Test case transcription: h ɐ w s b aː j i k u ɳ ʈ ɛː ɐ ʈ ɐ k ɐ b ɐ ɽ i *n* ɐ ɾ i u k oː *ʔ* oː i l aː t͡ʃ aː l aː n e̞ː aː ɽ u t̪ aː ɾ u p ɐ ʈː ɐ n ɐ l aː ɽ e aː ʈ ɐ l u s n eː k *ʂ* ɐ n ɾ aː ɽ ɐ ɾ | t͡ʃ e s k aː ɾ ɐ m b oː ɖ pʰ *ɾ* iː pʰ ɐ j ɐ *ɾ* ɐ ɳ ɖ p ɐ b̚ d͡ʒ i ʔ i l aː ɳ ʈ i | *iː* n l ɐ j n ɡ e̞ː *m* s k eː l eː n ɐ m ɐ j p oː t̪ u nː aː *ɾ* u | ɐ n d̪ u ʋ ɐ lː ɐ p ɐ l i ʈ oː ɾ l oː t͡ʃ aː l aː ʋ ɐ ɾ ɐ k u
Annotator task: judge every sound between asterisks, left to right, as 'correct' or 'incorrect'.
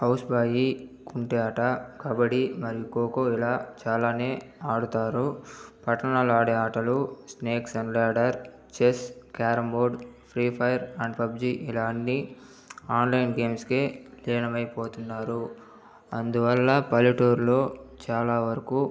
incorrect, incorrect, incorrect, correct, correct, incorrect, correct, correct

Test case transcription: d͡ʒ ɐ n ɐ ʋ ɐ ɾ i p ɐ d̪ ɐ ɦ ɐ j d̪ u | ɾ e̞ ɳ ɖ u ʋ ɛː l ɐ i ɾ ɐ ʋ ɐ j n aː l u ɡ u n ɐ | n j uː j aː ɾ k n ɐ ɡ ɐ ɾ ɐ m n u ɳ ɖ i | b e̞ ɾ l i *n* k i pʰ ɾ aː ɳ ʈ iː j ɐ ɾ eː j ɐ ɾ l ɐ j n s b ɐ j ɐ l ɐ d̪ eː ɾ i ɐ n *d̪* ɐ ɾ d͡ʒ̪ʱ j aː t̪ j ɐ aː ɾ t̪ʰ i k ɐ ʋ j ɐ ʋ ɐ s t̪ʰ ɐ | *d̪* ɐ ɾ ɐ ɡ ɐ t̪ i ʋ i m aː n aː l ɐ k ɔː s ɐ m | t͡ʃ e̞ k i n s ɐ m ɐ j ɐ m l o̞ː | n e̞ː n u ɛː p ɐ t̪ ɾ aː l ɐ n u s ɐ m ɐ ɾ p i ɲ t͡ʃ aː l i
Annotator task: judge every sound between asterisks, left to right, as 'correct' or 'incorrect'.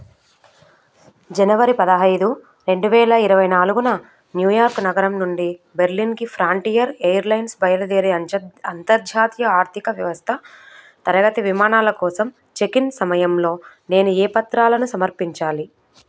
correct, incorrect, incorrect

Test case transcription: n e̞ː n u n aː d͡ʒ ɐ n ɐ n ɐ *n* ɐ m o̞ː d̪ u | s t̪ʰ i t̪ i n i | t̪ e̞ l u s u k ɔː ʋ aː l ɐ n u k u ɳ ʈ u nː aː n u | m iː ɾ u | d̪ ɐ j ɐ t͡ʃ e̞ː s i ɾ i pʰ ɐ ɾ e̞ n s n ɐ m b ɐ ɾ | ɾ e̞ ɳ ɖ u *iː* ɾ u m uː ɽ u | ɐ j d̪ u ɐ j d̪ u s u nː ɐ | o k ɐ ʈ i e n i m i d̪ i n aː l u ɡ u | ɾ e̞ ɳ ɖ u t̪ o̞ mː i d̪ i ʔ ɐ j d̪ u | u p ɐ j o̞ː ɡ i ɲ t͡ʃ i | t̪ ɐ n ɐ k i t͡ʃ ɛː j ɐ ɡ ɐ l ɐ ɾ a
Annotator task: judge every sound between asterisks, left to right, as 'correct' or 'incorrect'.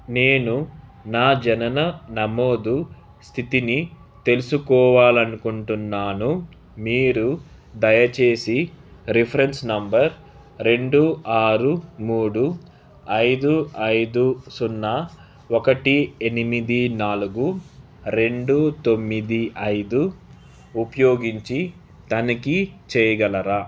correct, incorrect

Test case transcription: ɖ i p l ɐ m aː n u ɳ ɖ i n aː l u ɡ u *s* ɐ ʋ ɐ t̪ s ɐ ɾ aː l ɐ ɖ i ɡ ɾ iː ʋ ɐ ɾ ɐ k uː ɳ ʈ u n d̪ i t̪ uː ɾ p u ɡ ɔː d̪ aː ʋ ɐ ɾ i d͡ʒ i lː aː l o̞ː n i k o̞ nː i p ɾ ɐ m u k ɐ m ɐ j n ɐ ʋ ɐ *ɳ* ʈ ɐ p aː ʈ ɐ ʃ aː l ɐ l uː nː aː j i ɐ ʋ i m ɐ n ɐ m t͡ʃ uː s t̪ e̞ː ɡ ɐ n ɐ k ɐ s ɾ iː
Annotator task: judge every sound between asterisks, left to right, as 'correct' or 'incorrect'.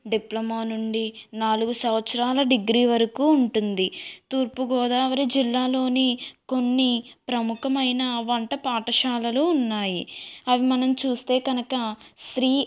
correct, correct

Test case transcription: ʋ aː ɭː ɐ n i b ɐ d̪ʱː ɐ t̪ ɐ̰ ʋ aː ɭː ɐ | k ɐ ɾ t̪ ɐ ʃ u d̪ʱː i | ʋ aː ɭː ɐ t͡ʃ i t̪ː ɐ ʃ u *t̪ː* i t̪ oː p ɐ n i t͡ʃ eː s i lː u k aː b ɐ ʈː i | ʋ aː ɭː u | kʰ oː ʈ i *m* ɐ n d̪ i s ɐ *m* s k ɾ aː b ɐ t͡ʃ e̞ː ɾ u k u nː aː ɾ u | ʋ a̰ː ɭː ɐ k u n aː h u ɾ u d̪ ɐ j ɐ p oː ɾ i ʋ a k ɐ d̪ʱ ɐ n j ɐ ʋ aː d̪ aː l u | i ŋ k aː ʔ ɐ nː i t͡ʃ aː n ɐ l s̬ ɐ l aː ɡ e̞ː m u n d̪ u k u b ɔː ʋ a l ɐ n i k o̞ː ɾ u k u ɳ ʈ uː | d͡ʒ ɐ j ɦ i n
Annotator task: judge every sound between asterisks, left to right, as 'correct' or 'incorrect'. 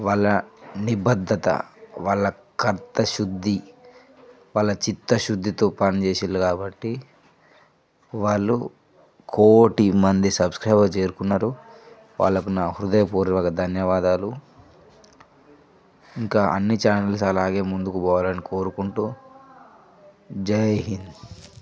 incorrect, correct, incorrect

